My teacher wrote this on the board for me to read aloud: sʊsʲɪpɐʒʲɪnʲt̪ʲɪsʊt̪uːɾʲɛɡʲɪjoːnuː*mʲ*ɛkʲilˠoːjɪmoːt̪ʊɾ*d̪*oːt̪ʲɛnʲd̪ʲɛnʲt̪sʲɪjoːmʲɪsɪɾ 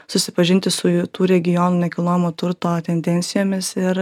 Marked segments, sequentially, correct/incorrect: incorrect: nʲ, incorrect: t̪

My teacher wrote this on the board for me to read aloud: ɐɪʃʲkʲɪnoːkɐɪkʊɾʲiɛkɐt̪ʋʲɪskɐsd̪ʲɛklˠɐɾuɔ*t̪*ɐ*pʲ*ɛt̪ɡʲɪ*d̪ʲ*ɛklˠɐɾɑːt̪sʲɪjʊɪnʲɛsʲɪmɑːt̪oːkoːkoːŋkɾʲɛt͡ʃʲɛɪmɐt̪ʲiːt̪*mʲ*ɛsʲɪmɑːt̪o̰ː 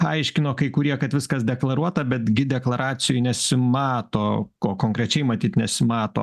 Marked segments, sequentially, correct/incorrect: correct, incorrect: bʲ, correct, incorrect: nʲ

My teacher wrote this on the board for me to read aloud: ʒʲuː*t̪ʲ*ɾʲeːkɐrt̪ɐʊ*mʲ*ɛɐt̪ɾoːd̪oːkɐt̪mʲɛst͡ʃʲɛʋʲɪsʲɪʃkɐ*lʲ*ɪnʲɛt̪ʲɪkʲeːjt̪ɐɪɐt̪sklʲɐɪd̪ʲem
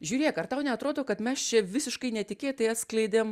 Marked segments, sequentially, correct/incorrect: incorrect: none, incorrect: nʲ, incorrect: none

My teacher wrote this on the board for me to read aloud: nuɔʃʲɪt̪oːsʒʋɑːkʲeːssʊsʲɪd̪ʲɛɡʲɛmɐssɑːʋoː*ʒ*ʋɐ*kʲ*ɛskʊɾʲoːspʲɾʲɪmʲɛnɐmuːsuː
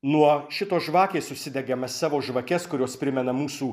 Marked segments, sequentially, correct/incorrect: correct, correct

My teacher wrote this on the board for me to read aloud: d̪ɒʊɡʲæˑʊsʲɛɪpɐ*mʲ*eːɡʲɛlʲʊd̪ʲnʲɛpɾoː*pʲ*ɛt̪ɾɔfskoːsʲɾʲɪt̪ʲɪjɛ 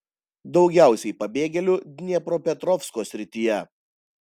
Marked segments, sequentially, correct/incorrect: incorrect: bʲ, correct

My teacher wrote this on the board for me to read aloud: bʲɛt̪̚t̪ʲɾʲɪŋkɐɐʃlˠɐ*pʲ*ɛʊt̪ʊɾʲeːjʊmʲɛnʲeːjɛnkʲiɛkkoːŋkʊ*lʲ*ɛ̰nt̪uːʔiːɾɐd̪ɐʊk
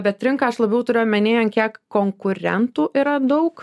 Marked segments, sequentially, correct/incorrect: incorrect: bʲ, incorrect: ɾʲ

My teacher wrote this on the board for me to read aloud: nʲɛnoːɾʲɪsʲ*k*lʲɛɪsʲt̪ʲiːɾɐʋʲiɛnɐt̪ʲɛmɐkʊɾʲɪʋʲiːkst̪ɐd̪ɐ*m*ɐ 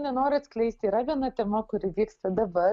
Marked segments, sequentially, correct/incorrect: correct, incorrect: b

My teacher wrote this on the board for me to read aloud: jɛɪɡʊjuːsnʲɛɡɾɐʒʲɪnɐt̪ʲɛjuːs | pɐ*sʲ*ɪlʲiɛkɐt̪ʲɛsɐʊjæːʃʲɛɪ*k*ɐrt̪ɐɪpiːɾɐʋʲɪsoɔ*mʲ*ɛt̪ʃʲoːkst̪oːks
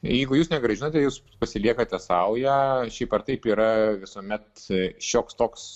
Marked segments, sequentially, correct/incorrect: correct, incorrect: p, correct

